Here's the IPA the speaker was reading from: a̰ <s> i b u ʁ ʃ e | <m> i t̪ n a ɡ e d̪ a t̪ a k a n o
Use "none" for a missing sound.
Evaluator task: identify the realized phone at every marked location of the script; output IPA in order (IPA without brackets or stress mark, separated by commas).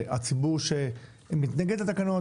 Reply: t͡s, m